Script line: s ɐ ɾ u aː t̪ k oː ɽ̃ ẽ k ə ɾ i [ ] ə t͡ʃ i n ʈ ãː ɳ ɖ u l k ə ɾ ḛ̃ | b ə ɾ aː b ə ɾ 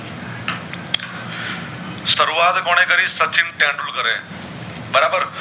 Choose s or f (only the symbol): s